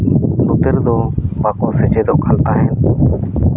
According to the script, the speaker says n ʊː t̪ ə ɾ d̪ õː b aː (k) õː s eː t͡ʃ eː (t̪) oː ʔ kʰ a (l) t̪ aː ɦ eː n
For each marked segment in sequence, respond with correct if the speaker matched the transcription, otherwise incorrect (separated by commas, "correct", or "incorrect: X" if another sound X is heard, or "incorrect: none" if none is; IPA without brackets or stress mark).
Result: correct, incorrect: d̪, correct